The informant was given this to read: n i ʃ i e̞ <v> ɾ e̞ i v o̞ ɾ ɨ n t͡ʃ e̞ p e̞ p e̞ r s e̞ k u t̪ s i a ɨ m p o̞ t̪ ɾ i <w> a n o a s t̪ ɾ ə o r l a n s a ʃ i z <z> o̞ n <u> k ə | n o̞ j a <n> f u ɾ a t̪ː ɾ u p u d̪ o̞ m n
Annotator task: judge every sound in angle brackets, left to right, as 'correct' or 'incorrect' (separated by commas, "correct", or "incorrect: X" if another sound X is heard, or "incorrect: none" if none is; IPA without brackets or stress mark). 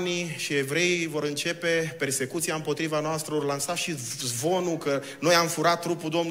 correct, incorrect: v, incorrect: v, correct, incorrect: m